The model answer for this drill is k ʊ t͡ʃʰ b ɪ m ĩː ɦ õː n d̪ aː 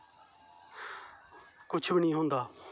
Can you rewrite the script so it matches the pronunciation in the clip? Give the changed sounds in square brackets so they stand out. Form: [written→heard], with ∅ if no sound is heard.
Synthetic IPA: k ʊ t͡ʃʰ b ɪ [m→n] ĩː ɦ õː n d̪ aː